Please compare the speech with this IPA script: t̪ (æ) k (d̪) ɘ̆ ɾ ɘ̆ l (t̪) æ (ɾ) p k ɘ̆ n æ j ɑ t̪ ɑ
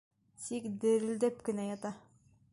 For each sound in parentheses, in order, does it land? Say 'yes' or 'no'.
no, yes, no, no

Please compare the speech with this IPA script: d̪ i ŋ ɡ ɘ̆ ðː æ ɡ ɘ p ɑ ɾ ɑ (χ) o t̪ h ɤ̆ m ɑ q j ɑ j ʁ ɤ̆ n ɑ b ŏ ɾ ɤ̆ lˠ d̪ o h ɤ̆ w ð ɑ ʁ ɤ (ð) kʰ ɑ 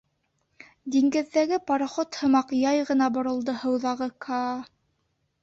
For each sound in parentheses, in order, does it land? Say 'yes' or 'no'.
yes, no

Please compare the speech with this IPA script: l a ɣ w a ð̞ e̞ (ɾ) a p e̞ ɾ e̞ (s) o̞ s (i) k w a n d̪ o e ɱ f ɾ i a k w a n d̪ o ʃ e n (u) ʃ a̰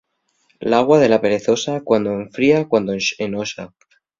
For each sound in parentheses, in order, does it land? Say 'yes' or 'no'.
no, no, no, no

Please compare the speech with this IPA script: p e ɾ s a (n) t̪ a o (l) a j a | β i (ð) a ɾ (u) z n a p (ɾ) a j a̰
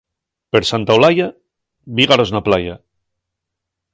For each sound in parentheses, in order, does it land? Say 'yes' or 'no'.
yes, yes, no, no, no

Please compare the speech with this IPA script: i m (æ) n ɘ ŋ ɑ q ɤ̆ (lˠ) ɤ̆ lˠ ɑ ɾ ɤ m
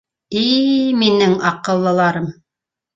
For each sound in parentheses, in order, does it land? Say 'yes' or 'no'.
no, no

